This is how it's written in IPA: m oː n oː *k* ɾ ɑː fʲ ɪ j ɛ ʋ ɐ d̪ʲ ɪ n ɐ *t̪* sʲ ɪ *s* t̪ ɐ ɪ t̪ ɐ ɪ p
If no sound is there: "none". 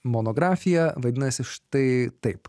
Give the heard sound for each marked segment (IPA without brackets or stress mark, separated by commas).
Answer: ɡ, none, ʃ